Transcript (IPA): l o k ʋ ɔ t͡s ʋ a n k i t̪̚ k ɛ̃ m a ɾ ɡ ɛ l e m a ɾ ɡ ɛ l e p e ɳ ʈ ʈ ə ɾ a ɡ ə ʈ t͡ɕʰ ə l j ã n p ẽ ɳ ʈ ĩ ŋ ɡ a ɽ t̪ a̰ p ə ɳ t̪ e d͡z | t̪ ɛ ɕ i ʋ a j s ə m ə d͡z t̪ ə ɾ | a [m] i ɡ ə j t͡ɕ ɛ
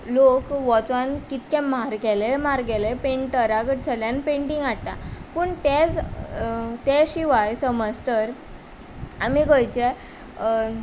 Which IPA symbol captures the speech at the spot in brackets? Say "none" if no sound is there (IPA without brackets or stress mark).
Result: m